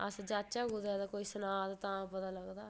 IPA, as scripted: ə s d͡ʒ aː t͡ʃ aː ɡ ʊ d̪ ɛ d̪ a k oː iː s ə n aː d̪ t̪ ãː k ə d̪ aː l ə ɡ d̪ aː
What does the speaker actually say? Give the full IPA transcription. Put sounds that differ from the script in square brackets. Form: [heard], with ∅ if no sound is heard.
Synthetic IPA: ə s d͡ʒ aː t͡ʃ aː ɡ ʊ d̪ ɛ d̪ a k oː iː s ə n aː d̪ t̪ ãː [p] ə [t̪] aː l ə ɡ d̪ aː